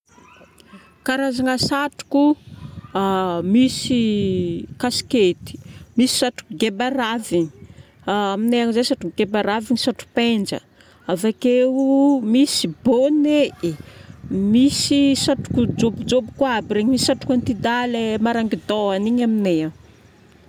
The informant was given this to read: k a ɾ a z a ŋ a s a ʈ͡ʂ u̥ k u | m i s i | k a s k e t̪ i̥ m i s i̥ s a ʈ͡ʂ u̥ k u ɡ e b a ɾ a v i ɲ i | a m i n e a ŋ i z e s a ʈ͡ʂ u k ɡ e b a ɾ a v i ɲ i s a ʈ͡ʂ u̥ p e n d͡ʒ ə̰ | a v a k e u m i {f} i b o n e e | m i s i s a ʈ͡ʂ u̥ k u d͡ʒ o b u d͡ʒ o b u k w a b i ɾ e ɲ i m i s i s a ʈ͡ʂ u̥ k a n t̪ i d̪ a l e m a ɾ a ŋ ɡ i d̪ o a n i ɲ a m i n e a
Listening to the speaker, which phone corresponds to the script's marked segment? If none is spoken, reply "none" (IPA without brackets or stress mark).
s